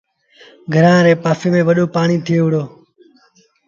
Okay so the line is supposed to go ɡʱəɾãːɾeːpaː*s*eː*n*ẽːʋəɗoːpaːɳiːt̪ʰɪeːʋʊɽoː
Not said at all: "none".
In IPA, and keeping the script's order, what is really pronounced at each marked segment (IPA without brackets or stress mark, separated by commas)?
f, m